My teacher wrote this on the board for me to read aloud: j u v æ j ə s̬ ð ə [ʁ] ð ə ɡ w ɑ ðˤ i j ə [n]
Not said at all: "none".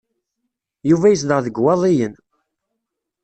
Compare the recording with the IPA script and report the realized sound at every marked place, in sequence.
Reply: ʁ, n

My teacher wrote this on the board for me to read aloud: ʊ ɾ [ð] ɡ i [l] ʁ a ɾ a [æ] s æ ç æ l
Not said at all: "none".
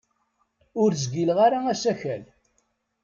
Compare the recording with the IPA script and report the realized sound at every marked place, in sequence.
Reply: z, l, æ

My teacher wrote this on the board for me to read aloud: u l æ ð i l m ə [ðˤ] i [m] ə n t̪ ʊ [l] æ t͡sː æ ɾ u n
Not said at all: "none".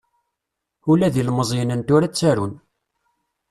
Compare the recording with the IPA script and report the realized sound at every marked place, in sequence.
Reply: zˤ, n, ɾ

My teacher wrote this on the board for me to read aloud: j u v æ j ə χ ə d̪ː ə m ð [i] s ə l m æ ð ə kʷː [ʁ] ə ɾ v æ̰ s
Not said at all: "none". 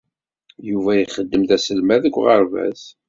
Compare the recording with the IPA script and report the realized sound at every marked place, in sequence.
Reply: æ, ʁ

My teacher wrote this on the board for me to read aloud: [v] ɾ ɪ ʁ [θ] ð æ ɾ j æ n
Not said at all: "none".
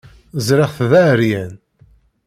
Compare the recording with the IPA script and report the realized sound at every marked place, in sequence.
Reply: z, θ

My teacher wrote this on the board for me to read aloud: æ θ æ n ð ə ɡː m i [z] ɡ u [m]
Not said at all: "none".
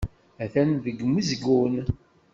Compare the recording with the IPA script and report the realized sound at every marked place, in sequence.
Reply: z, n

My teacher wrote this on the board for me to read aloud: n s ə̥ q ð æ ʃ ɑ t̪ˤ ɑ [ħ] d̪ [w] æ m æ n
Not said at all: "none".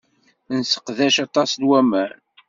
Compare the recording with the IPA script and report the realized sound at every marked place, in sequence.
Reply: s, w

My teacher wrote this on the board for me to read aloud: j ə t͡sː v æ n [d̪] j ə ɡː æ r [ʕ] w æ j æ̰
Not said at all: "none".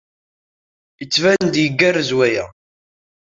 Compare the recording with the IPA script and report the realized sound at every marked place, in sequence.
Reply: d̪, z

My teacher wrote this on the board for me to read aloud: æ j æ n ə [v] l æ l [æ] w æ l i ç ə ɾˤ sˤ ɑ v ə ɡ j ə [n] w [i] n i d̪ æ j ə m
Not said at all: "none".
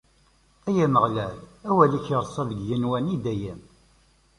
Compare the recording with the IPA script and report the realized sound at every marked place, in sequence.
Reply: ʁ, æ, n, æ

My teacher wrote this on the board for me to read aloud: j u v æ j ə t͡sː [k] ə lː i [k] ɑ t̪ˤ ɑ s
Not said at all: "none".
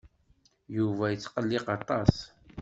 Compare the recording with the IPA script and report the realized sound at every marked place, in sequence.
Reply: q, q

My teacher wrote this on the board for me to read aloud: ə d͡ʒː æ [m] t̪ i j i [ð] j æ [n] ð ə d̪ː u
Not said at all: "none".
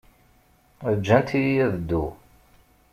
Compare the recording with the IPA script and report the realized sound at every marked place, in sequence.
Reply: n, none, none

